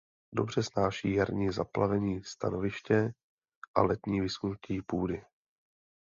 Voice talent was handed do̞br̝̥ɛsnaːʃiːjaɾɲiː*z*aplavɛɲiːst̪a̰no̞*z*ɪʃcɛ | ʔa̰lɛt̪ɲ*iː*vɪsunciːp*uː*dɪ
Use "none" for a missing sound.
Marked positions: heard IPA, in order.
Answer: z, v, iː, uː

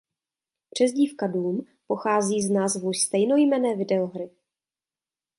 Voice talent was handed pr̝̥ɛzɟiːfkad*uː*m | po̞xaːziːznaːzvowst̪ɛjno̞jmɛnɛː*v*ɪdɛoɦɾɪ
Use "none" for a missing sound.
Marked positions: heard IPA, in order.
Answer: uː, v

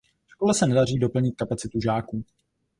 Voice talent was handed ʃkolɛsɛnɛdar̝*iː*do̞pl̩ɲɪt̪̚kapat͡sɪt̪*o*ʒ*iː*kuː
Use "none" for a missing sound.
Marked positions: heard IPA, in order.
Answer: iː, u, aː

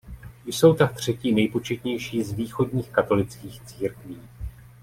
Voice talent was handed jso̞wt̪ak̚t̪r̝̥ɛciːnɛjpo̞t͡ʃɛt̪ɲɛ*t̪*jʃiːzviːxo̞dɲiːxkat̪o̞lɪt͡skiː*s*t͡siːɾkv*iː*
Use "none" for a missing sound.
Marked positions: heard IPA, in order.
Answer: none, x, iː

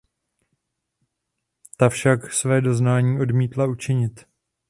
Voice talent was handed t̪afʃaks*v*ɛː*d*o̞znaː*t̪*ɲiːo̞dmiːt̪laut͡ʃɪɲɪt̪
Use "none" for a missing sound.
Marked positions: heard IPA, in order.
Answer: v, d, none

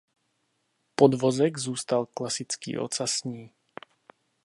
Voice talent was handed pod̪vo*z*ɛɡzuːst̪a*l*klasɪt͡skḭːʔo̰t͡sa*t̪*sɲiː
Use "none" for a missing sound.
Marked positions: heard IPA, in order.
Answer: z, l, none

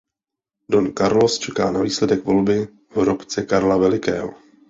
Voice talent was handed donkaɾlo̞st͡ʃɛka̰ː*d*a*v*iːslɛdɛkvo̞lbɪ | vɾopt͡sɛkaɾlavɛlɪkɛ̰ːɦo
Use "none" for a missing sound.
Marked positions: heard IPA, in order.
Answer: n, v

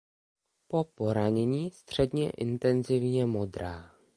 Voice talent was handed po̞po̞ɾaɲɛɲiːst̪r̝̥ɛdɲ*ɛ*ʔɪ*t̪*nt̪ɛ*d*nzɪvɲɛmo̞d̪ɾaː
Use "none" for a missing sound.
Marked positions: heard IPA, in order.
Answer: ɛ, none, none

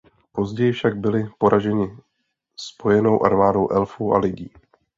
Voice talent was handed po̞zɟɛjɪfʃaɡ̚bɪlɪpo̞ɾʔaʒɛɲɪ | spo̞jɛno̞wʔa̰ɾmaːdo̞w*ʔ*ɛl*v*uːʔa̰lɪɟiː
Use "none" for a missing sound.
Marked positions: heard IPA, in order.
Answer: ʔ, f

